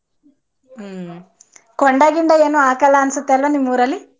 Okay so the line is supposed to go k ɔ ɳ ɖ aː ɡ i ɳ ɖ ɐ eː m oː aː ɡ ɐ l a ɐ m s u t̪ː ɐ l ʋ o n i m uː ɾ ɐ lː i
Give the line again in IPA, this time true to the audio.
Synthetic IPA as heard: k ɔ ɳ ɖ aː ɡ i ɳ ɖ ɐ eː n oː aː k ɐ l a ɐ n s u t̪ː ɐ l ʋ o n i m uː ɾ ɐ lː i